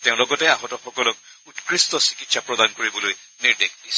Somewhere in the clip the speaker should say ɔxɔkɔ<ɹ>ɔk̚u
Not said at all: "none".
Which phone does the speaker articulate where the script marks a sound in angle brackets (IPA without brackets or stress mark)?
l